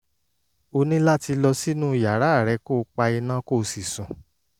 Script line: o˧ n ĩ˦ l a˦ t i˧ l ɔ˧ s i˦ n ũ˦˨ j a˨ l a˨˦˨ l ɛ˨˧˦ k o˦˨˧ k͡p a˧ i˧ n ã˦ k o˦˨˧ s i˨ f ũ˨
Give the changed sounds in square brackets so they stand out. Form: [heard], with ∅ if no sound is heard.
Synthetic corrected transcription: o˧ n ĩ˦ l a˦ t i˧ l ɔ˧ s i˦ n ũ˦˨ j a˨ [ɾ] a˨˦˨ [ɾ] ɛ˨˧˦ k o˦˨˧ k͡p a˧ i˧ n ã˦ k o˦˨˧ s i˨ [s] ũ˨

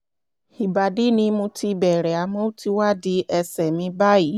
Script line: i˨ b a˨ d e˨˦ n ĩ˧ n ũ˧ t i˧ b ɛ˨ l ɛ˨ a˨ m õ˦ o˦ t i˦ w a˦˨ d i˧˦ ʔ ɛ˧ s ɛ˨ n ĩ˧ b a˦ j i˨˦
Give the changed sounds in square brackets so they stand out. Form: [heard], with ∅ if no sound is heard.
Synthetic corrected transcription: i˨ b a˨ d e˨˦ n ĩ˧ [m] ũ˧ t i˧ b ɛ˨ [ɾ] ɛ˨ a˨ m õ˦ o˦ t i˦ w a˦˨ d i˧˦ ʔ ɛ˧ s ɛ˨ [m] ĩ˧ b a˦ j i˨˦

